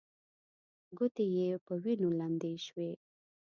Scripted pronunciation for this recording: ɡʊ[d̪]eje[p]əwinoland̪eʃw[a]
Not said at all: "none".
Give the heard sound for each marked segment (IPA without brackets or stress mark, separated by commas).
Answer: t̪, p, e